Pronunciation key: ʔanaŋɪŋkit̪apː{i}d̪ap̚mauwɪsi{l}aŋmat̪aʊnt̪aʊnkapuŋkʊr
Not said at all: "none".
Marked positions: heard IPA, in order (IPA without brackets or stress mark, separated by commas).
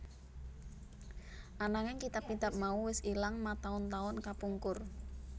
i, l